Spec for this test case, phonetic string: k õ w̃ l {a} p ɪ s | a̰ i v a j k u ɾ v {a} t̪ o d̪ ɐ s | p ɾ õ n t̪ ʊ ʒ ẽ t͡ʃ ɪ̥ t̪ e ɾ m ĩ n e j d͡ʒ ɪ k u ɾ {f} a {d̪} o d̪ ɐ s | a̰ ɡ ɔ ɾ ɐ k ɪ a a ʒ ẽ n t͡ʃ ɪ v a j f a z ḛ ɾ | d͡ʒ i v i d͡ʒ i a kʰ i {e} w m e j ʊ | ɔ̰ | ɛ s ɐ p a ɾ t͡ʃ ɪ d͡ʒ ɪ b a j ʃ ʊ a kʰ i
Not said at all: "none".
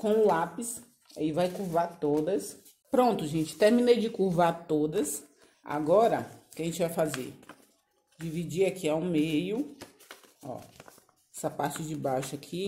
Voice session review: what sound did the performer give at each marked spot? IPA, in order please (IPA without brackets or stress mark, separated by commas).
a, a, v, t̪, a